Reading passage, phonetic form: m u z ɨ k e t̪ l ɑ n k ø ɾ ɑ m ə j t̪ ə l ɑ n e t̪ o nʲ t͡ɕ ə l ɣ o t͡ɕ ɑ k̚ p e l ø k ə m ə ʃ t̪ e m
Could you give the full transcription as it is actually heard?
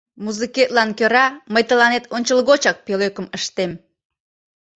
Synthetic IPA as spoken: m u z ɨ k e t̪ l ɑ n k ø ɾ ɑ m ə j t̪ ə l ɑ n e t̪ o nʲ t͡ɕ ə l ɣ o t͡ɕ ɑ k̚ p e l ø k ə m ə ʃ t̪ e m